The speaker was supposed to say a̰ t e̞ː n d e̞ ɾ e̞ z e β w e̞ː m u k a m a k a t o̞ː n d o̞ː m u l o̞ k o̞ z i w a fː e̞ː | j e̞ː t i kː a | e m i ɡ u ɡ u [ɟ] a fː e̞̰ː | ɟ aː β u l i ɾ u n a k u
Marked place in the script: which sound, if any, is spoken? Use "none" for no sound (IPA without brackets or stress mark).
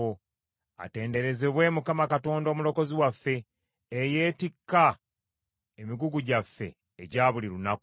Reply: ɟ